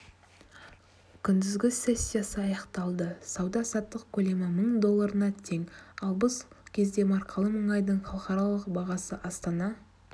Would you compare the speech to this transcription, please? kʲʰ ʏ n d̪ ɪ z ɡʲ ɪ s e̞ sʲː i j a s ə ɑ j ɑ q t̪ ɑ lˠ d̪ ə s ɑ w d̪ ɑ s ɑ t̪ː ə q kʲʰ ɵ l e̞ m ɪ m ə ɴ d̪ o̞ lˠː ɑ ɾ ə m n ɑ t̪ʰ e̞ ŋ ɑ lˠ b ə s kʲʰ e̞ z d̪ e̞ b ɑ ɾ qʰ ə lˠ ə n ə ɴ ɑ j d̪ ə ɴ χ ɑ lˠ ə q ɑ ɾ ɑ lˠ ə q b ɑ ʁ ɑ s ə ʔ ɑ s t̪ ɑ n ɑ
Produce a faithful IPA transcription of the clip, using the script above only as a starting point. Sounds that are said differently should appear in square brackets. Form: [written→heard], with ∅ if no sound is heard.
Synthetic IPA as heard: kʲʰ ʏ n d̪ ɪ z ɡʲ ɪ s e̞ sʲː i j a s ə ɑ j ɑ q t̪ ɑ lˠ d̪ ə s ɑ w d̪ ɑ s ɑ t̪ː ə q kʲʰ ɵ l e̞ m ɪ m ə ɴ d̪ o̞ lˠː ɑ ɾ ə [m→∅] n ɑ t̪ʰ e̞ ŋ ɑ lˠ b ə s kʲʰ e̞ z d̪ e̞ [b→m] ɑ ɾ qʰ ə lˠ ə [n→m] ə ɴ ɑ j d̪ ə ɴ χ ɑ lˠ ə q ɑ ɾ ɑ lˠ ə q b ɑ ʁ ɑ s ə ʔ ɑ s t̪ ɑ n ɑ

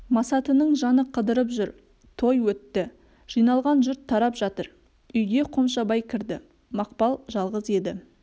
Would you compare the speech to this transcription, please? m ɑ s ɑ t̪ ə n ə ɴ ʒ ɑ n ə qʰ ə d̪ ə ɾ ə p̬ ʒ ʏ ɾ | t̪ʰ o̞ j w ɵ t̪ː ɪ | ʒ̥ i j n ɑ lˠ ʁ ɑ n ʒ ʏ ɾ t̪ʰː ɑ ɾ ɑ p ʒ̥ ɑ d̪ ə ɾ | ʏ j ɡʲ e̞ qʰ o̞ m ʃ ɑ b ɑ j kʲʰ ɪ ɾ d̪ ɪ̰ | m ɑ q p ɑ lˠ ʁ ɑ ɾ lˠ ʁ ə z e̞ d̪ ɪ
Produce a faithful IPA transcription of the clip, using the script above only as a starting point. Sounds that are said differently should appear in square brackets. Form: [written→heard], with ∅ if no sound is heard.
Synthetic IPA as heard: m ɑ s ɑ t̪ ə n ə ɴ ʒ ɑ n ə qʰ ə d̪ ə ɾ ə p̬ ʒ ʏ ɾ | t̪ʰ o̞ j w ɵ t̪ː ɪ | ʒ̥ i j n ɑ lˠ ʁ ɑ n ʒ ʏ ɾ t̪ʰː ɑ ɾ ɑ p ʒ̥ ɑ [d̪→t̪] ə ɾ | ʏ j ɡʲ e̞ qʰ o̞ m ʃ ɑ b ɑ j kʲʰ ɪ ɾ d̪ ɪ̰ | m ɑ q p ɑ lˠ [ʁ→ʒ] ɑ [ɾ→∅] lˠ ʁ ə z e̞ d̪ ɪ

